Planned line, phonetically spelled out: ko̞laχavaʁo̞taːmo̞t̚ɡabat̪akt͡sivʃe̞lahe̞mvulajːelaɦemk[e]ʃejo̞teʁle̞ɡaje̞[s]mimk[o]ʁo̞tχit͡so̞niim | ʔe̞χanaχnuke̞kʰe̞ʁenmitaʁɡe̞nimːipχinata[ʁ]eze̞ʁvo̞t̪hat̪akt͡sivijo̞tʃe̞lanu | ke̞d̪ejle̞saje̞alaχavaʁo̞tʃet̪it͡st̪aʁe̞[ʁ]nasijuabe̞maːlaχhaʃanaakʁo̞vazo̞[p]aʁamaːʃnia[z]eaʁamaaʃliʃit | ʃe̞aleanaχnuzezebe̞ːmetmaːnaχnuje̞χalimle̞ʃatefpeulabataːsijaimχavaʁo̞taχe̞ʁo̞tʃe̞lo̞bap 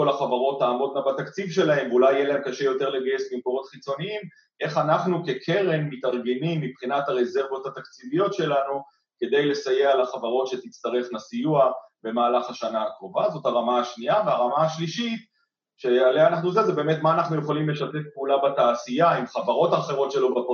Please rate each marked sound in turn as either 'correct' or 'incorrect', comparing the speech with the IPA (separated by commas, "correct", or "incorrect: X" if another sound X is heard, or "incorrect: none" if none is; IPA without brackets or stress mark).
incorrect: a, correct, correct, correct, incorrect: χ, incorrect: t, incorrect: v